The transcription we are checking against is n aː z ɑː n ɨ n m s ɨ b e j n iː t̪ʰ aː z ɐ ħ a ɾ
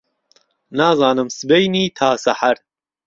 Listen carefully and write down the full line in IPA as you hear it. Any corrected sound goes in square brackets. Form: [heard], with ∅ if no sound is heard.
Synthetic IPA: n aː z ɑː n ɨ [∅] m s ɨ b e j n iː t̪ʰ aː [s] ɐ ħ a ɾ